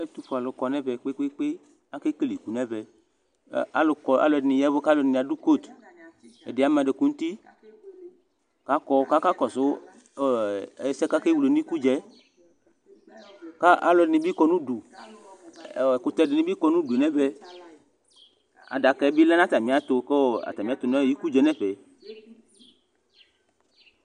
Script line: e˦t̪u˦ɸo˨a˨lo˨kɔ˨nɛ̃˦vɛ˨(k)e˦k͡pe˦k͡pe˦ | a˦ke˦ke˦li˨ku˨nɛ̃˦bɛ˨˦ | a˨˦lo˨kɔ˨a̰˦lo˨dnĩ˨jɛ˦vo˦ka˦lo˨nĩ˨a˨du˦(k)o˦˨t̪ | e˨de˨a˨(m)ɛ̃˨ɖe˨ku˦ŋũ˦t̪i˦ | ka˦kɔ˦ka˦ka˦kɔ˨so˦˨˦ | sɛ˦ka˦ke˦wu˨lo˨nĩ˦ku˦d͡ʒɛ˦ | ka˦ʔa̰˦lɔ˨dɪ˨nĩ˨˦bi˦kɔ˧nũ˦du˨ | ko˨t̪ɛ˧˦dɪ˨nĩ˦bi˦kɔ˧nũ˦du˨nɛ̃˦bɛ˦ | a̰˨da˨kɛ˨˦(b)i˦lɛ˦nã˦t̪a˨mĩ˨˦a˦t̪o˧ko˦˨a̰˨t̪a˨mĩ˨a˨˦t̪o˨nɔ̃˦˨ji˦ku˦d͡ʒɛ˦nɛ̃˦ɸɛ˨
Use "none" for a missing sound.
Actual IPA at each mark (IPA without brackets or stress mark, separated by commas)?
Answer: k͡p, k, m, b